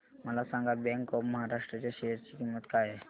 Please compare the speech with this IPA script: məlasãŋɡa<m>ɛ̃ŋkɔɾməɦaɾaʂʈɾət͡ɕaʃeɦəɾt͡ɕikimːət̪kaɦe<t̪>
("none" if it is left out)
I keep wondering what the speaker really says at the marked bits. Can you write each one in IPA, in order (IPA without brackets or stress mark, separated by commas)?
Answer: b, none